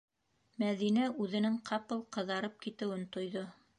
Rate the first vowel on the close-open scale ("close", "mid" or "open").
open